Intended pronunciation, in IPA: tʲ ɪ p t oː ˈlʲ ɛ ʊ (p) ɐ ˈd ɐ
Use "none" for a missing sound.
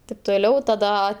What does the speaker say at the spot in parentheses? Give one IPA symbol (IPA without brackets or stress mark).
t